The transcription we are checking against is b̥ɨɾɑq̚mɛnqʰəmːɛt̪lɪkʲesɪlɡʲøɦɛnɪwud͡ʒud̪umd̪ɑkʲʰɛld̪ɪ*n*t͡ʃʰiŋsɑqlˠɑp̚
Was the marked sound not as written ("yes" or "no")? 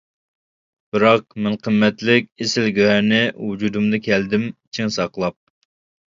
yes